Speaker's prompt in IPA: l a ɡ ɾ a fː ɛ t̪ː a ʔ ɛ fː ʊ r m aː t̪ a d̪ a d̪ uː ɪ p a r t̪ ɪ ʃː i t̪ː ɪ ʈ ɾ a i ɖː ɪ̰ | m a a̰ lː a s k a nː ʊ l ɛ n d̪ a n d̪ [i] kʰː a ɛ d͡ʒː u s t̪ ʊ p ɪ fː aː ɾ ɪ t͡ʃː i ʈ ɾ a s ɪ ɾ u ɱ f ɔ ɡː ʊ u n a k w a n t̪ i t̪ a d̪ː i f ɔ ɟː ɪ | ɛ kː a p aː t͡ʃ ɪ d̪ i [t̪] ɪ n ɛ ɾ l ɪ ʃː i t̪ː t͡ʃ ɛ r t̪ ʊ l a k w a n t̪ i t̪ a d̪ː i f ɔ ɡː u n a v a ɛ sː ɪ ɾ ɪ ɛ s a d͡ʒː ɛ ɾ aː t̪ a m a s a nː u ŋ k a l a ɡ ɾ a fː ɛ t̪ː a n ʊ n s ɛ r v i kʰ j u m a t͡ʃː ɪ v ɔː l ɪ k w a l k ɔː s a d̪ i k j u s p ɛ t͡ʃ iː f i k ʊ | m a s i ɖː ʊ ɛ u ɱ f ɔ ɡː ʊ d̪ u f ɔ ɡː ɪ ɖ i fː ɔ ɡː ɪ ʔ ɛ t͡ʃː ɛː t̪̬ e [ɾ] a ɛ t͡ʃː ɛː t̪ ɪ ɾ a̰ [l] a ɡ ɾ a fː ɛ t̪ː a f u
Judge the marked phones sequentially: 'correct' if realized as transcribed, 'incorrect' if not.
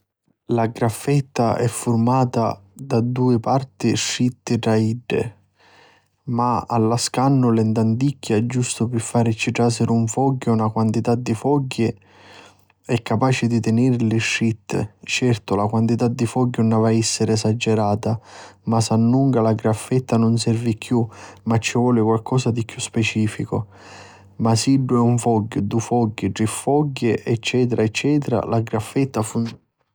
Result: correct, correct, correct, correct

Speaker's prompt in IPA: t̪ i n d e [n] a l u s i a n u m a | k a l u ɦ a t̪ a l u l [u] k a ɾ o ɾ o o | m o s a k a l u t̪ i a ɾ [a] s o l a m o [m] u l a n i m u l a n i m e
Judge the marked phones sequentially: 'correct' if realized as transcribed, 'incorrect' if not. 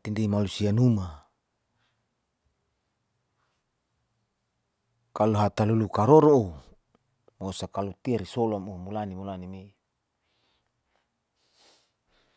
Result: incorrect, correct, incorrect, correct

